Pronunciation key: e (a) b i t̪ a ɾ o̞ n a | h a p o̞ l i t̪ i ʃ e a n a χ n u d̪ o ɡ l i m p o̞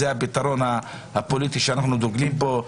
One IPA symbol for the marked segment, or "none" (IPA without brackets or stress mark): a